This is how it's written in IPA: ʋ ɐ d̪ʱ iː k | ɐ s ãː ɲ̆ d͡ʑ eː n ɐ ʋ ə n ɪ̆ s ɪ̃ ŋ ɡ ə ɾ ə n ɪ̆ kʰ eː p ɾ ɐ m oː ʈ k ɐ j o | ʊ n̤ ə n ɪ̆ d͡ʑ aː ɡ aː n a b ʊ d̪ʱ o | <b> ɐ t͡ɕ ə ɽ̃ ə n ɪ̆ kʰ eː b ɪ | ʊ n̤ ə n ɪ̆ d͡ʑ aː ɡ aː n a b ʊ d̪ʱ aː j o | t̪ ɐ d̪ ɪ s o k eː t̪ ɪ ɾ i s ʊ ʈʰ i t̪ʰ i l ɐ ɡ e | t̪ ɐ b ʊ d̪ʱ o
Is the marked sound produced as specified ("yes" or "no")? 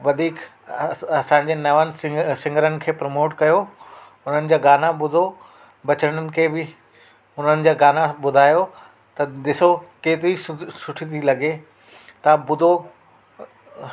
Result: yes